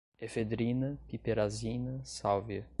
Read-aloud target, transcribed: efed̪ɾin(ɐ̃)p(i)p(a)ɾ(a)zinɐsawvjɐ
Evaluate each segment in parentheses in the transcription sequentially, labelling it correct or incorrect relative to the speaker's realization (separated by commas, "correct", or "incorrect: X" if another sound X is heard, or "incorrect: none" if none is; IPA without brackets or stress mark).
incorrect: ɐ, correct, incorrect: e, correct